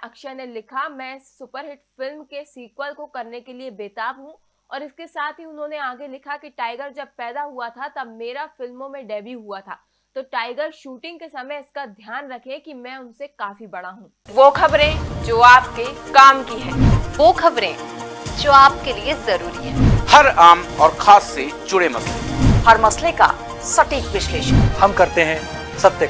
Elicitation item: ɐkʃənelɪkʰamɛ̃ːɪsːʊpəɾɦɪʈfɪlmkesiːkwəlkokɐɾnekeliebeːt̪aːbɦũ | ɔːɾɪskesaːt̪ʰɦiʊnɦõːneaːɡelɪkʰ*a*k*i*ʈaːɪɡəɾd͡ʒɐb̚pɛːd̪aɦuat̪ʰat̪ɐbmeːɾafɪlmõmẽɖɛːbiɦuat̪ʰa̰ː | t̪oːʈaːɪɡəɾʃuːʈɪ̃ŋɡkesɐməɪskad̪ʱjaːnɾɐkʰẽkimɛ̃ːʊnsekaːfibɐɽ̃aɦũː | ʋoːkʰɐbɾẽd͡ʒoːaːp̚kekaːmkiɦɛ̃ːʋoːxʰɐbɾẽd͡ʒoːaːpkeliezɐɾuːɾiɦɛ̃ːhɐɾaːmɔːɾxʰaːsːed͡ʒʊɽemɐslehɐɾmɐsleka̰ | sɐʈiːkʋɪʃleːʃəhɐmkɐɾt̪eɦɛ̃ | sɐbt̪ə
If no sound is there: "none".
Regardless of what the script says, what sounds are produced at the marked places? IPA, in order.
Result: a, i

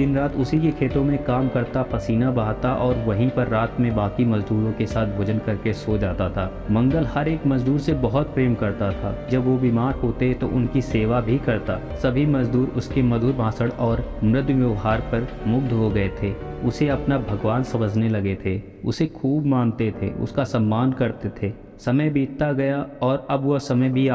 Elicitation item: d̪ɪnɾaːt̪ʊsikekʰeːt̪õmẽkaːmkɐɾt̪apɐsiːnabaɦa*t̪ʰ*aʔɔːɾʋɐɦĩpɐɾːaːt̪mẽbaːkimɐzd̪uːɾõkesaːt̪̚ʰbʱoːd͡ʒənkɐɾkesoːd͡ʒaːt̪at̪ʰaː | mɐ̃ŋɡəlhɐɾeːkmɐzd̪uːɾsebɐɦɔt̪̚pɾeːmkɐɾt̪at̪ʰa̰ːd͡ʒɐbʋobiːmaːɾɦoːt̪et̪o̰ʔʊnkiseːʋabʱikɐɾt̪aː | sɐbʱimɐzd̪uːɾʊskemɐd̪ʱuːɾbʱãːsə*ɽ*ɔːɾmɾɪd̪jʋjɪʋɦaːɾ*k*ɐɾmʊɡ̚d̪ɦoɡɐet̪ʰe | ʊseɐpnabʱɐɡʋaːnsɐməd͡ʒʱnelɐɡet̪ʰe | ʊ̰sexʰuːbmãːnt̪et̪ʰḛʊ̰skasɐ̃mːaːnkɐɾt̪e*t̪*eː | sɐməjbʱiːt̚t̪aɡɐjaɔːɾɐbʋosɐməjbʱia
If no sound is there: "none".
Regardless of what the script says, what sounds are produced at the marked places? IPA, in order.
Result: t̪, ɽ, p, t̪ʰ

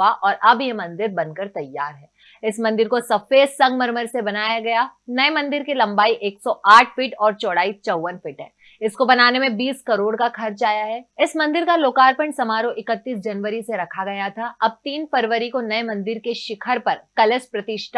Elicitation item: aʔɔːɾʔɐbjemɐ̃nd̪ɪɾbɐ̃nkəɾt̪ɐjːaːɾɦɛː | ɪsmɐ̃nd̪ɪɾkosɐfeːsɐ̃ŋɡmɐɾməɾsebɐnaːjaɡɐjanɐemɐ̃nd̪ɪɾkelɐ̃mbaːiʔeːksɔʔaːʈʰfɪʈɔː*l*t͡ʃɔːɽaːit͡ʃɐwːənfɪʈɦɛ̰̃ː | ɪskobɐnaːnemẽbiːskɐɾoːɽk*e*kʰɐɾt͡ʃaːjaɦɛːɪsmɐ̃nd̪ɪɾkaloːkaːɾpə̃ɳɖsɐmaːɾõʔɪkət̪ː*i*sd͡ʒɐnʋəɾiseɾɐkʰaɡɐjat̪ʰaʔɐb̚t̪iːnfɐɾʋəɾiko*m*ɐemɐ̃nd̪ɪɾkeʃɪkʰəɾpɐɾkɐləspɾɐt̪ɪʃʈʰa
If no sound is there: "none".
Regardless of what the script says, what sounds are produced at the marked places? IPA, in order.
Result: ɾ, a, iː, n

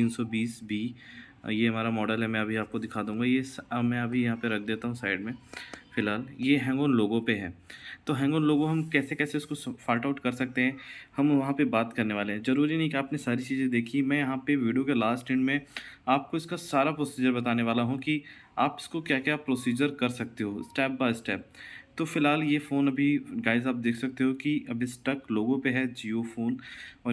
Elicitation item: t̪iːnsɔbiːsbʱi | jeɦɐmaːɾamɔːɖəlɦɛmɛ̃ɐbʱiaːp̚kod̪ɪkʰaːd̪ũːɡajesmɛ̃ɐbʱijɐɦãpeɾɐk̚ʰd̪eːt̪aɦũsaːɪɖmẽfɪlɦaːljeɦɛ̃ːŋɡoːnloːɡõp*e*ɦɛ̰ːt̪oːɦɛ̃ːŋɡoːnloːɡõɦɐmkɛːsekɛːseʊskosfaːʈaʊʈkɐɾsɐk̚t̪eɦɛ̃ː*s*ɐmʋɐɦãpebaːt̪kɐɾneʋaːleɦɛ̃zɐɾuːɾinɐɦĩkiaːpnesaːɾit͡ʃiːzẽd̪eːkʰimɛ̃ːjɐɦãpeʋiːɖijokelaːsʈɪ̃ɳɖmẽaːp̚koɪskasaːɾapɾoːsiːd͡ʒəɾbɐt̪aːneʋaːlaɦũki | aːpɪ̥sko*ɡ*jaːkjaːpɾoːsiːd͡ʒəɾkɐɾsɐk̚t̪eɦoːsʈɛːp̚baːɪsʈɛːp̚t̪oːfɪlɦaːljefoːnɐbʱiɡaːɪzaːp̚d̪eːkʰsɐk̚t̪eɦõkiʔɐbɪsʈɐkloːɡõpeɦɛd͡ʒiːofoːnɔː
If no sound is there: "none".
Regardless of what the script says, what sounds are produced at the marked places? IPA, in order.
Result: e, h, k

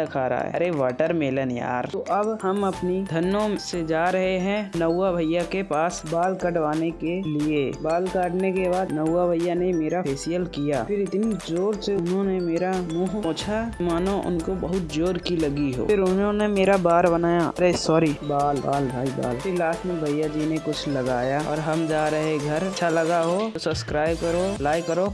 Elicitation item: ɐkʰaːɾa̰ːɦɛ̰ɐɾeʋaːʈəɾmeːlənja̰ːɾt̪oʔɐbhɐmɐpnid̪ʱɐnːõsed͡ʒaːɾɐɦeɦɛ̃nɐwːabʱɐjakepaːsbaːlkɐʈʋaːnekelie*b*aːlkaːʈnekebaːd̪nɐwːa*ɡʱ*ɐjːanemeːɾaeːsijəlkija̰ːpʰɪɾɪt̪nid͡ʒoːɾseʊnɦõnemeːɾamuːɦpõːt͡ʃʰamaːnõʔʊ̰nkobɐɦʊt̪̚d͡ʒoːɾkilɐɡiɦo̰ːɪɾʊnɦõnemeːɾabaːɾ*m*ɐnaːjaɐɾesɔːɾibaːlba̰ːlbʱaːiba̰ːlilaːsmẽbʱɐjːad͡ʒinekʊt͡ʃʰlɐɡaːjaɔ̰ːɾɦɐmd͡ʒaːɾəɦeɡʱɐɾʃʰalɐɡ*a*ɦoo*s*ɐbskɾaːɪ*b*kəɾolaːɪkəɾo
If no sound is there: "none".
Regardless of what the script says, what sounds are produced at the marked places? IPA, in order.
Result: b, bʱ, b, a, s, b

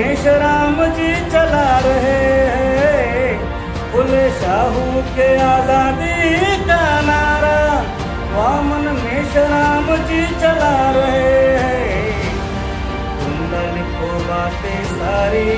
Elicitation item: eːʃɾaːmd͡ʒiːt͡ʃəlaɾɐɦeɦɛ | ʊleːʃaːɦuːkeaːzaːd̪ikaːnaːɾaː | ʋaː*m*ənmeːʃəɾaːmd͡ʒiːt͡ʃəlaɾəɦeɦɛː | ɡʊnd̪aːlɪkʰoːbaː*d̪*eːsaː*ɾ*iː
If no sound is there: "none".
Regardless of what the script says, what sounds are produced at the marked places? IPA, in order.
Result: m, t̪, ɾ

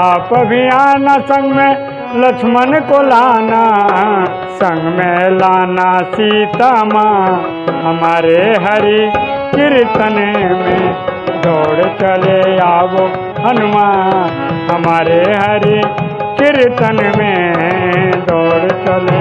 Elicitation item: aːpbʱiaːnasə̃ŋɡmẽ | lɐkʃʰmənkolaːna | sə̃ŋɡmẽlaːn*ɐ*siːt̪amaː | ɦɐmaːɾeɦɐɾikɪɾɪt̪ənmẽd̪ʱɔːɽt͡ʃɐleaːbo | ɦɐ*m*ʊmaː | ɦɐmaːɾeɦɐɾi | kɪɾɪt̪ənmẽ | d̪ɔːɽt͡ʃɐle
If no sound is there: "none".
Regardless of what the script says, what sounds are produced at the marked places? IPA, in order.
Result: a, n

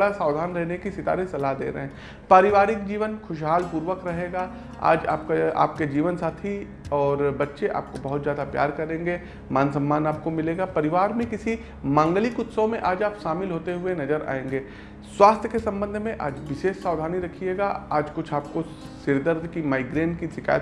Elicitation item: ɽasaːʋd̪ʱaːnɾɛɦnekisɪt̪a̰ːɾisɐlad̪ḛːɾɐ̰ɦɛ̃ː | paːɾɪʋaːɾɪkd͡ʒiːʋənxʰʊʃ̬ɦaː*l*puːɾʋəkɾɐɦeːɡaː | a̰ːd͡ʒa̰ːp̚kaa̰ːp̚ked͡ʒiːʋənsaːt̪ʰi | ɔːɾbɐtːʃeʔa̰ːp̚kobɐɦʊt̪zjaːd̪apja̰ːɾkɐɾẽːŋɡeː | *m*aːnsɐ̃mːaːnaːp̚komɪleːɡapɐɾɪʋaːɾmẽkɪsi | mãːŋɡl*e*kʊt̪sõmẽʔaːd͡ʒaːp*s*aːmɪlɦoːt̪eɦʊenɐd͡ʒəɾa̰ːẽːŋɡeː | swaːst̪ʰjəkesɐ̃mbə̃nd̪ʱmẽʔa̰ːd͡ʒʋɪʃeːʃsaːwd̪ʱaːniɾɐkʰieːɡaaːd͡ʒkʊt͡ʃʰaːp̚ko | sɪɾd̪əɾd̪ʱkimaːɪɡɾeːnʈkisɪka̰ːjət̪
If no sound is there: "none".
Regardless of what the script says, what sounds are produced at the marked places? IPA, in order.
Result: l, m, i, ʃ

